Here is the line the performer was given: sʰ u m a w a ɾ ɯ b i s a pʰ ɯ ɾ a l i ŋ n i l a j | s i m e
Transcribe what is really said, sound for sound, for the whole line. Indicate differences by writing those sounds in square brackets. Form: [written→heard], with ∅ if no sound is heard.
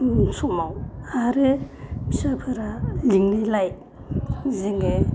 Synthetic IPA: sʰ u m a w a ɾ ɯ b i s a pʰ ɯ ɾ a l i ŋ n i l a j | [s→z] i [m→ŋ] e